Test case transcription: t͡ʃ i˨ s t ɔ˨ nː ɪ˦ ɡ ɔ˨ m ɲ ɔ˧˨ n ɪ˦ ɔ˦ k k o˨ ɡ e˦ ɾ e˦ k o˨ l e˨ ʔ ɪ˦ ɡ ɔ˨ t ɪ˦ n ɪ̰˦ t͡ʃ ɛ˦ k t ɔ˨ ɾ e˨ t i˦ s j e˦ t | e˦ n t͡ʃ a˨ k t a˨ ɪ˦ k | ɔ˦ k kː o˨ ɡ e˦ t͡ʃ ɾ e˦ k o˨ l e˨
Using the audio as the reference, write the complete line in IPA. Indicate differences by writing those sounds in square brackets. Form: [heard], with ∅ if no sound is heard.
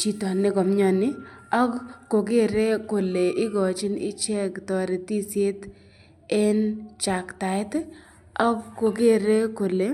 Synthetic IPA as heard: t͡ʃ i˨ [∅] t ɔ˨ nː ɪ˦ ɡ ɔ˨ m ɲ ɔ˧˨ n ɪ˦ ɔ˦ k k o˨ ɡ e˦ ɾ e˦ k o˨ l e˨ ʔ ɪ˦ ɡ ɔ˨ [t͡ʃ] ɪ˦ n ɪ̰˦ t͡ʃ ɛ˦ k t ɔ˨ ɾ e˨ t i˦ s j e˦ t | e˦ n t͡ʃ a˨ k t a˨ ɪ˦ [t] | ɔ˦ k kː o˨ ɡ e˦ [∅] ɾ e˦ k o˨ l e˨